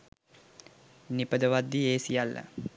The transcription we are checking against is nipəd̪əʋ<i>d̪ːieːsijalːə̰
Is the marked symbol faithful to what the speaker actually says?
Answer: no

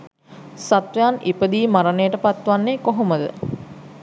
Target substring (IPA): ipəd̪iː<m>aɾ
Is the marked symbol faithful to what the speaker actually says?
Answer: yes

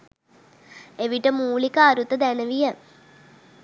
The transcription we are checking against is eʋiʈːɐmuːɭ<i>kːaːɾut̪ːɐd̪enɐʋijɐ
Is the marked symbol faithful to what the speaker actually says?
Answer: yes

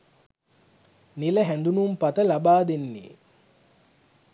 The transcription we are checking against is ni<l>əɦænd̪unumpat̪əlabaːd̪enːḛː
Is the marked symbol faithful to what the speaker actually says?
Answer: yes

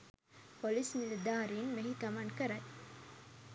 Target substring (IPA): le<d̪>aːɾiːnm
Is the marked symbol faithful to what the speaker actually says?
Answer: yes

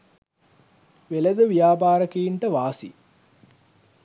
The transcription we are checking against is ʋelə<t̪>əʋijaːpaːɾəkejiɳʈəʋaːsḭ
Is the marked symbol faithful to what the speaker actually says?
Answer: no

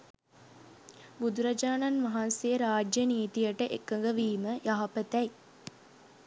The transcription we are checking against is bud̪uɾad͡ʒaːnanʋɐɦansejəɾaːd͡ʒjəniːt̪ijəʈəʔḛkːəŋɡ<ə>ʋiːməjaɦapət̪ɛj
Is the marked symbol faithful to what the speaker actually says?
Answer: yes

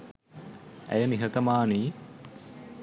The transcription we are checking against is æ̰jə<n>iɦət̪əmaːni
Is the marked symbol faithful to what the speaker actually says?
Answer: yes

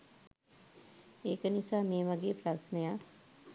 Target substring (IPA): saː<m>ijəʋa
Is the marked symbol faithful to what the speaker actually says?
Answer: yes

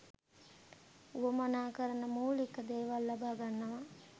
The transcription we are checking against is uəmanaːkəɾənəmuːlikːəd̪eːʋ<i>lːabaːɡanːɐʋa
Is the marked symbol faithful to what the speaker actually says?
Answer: no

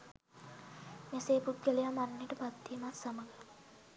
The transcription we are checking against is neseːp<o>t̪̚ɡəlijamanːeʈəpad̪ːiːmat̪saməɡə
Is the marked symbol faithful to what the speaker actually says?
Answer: no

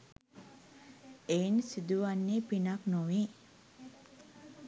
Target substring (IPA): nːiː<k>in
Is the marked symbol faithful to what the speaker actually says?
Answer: no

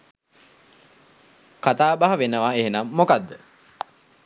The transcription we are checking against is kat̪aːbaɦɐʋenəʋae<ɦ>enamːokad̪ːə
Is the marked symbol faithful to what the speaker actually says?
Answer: yes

